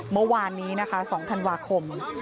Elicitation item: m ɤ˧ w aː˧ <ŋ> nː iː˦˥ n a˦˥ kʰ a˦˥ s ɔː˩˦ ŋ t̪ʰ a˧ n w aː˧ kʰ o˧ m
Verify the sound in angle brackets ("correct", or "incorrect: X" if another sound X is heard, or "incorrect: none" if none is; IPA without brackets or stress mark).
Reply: incorrect: none